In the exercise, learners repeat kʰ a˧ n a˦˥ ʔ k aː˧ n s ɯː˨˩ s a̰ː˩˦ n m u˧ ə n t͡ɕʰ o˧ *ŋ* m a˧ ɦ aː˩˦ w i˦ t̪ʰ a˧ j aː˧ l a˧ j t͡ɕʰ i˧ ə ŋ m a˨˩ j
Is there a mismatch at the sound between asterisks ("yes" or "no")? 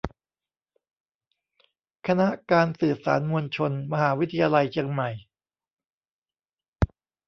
yes